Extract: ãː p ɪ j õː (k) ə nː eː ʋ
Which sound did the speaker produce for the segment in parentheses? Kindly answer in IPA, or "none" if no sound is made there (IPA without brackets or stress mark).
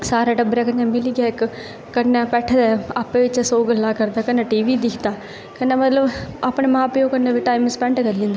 k